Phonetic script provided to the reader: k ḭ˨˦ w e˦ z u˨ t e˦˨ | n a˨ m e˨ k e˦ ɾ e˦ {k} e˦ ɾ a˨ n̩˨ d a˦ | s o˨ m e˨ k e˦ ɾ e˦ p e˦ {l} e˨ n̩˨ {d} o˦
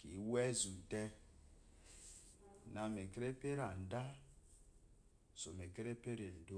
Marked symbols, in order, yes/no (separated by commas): no, no, yes